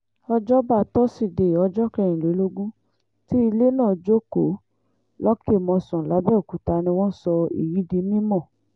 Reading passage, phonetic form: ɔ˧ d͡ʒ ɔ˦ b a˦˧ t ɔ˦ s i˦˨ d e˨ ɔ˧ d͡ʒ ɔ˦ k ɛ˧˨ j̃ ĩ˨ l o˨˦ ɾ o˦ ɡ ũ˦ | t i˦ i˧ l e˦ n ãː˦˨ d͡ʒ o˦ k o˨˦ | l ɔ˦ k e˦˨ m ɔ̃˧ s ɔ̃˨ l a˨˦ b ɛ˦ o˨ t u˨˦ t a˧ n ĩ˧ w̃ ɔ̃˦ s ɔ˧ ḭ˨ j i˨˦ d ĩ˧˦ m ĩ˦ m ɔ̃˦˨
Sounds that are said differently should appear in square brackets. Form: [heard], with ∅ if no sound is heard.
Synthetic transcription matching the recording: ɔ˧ d͡ʒ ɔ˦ b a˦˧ t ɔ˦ s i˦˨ d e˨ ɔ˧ d͡ʒ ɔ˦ k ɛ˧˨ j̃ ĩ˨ l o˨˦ [l] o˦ ɡ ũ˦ | t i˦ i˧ l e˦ n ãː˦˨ d͡ʒ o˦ k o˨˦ | l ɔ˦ k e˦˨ m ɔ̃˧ s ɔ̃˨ l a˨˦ b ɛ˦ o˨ [k] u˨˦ t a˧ n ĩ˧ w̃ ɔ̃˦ s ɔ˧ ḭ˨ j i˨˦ d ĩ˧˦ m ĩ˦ m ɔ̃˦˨